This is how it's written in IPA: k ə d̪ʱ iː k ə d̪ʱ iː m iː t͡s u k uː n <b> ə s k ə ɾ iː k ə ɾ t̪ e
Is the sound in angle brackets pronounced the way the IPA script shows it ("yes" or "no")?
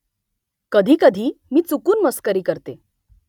no